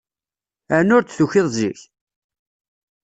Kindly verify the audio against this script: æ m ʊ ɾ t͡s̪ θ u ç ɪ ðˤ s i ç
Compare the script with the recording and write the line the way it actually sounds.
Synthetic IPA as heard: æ n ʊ ɾ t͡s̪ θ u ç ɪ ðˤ z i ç